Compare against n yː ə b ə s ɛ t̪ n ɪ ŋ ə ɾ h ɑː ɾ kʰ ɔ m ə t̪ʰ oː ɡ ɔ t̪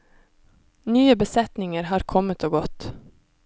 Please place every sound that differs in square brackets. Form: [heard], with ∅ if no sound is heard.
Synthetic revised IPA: n yː ə b ə s ɛ t̪ n ɪ ŋ ə ɾ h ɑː ɾ kʰ ɔ m ə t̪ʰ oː ɡ ɔ t̪

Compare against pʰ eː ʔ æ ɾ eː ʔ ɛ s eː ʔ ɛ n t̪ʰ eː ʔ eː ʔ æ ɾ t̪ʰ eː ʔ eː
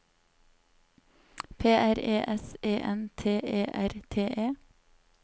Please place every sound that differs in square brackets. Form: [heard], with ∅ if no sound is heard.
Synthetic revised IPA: pʰ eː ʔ æ ɾ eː ʔ ɛ s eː ʔ ɛ n t̪ʰ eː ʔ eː ʔ æ ɾ t̪ʰ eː ʔ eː

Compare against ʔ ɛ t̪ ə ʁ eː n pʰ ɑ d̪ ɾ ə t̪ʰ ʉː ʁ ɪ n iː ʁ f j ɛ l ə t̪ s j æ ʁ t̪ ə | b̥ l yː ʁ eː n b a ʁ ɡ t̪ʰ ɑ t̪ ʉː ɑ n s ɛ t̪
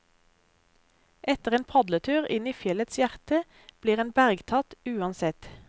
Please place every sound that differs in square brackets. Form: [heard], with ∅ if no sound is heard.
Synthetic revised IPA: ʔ ɛ t̪ ə ʁ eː n pʰ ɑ d̪ [l] ə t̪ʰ ʉː ʁ ɪ n iː [∅] f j ɛ l ə t̪ s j æ ʁ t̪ ə | b̥ l [iː] ʁ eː n b [æ] ʁ ɡ t̪ʰ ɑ t̪ ʉː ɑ n s ɛ t̪

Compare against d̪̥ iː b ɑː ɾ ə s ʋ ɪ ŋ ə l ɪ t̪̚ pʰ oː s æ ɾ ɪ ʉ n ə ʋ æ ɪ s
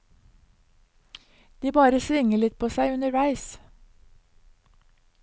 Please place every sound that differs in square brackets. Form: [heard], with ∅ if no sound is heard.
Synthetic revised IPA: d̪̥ iː b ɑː ɾ ə s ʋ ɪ ŋ ə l ɪ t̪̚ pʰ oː s æ [∅] ɪ ʉ n ə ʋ æ ɪ s

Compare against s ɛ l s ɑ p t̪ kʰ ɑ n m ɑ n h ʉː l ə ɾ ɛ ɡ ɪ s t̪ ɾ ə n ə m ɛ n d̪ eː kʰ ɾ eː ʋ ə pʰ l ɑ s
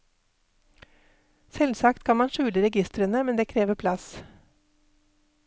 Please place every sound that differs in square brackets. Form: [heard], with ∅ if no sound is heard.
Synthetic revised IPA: s ɛ l s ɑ [k] t̪ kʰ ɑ n m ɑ n [ʃ] ʉː l ə ɾ ɛ ɡ ɪ s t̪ ɾ ə n ə m ɛ n d̪ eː kʰ ɾ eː ʋ ə pʰ l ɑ s

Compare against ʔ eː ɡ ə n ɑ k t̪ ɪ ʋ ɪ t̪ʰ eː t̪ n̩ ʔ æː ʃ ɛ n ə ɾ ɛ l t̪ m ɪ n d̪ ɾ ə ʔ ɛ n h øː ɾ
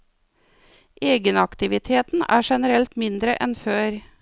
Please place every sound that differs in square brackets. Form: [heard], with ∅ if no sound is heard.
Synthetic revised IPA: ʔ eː ɡ ə n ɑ k t̪ ɪ ʋ ɪ t̪ʰ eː t̪ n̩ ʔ æː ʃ ɛ n ə ɾ ɛ l t̪ m ɪ n d̪ ɾ ə ʔ ɛ n [f] øː ɾ

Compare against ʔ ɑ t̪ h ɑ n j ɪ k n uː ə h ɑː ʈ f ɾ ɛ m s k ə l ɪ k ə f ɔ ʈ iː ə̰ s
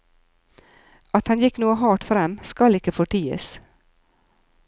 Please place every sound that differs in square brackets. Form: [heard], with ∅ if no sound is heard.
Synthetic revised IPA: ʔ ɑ t̪ h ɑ n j ɪ k n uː ə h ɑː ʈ f ɾ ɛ m s k [ɑ] l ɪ k ə f ɔ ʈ iː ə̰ s

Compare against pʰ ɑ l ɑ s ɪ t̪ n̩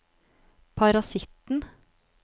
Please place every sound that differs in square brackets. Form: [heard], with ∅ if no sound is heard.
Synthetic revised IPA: pʰ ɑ [ɾ] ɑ s ɪ t̪ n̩

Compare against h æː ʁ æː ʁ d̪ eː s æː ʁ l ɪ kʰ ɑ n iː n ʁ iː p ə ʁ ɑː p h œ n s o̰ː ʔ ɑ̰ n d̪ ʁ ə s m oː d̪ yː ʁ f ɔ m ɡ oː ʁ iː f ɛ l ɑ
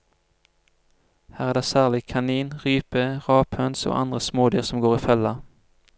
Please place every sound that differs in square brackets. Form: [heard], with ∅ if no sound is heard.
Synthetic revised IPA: h æː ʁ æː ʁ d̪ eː s æː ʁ l ɪ kʰ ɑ n iː n ʁ [yː] p ə ʁ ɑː p h œ n s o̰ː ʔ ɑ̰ n d̪ ʁ ə s m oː d̪ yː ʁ [s] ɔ m ɡ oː ʁ iː f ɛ l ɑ

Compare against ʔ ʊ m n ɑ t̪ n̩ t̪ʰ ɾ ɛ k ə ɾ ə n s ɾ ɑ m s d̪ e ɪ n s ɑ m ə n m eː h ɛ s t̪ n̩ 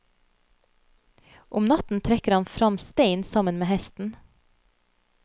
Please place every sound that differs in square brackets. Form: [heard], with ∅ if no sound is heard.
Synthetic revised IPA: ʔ ʊ m n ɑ t̪ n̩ t̪ʰ ɾ ɛ k ə ɾ [ɑ] n [f] ɾ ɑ m s [t̪] e ɪ n s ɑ m ə n m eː h ɛ s t̪ n̩

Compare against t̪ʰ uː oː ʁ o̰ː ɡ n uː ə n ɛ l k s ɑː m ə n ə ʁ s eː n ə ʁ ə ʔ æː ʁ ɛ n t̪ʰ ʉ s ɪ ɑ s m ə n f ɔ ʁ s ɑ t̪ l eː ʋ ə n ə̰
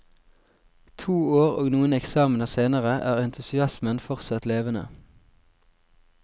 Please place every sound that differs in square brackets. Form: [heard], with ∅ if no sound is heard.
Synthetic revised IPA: t̪ʰ uː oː ʁ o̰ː ɡ n uː ə n ɛ [∅] k s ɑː m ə n ə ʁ s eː n ə ʁ ə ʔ æː ʁ ɛ n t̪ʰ ʉ s ɪ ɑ s m ə n f ɔ ʁ s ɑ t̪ l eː ʋ ə n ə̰

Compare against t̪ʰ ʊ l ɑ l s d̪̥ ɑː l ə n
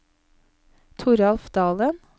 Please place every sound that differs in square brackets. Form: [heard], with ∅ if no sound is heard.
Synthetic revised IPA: t̪ʰ ʊ [ɾ] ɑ l [f] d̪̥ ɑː l ə n

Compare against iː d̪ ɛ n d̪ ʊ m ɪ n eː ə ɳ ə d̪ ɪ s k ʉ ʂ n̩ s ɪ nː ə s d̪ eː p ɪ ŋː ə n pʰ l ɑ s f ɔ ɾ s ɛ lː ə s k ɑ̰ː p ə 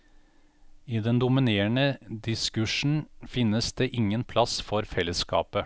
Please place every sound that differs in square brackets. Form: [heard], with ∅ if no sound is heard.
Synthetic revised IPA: iː d̪ ɛ n d̪ ʊ m ɪ n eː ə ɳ ə d̪ ɪ s k ʉ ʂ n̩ [f] ɪ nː ə s d̪ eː [ʔ] ɪ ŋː ə n pʰ l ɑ s f ɔ ɾ [f] ɛ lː ə s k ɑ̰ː p ə

